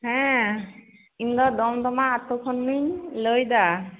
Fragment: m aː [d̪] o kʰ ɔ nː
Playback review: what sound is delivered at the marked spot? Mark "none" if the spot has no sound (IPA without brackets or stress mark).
t̪